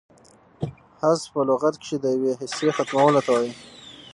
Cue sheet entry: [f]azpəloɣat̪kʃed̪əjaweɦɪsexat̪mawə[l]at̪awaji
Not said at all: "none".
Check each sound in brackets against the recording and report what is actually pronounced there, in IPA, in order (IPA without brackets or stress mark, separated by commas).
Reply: h, l